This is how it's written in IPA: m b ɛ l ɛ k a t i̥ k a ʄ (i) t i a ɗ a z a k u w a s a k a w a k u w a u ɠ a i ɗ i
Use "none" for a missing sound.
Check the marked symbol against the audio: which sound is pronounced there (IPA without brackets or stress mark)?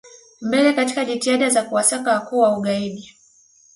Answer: i